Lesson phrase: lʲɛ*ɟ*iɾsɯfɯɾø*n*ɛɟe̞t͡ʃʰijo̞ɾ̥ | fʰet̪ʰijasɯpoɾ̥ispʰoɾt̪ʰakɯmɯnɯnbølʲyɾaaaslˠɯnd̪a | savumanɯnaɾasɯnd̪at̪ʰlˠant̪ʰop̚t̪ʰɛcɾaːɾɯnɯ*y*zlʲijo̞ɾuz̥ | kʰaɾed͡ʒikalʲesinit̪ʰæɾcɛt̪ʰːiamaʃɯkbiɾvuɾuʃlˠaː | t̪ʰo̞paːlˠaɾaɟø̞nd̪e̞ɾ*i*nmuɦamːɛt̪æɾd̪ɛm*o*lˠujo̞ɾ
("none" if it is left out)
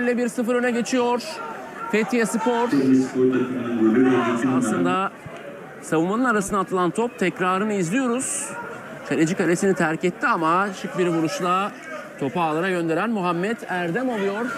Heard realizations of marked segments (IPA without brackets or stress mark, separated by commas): b, n, i, æ, o